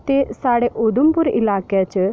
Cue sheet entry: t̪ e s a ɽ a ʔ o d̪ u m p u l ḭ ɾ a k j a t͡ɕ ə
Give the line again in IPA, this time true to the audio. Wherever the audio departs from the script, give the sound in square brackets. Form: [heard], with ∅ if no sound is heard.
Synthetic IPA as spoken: t̪ e s a ɽ [e] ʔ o d̪ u m p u [ɾ] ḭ [l] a k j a t͡ɕ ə